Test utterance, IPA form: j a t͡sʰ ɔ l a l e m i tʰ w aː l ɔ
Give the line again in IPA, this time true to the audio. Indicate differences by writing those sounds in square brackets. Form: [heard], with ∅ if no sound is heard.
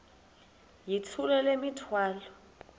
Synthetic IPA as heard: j [i] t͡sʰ [u] l [ɛ] l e m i tʰ w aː l ɔ